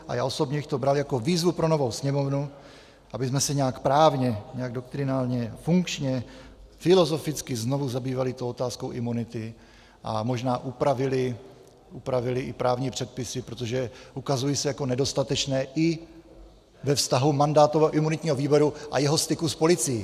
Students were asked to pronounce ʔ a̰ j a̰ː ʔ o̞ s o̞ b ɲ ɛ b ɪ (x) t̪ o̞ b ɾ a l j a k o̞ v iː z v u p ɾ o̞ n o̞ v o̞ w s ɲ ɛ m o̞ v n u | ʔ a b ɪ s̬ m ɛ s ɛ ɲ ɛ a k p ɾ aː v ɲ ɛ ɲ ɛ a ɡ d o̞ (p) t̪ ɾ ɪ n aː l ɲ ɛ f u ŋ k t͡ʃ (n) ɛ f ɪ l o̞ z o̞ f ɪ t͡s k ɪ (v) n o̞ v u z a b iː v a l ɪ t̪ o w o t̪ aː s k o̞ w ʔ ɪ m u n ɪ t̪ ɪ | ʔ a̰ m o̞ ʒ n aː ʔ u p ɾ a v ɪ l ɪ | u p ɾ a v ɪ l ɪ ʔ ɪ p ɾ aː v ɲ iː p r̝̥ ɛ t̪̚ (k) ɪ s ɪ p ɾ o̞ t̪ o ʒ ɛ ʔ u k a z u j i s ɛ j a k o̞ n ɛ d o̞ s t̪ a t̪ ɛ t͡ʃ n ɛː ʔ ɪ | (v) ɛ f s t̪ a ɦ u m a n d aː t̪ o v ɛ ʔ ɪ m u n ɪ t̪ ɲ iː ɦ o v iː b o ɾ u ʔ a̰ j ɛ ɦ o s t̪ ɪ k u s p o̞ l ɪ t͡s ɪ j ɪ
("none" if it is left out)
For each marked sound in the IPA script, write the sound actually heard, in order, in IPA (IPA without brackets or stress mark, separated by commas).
x, k, ɲ, z, p, v